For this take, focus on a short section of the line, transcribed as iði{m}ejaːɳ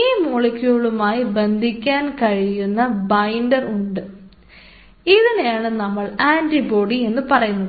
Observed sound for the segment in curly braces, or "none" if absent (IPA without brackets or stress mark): n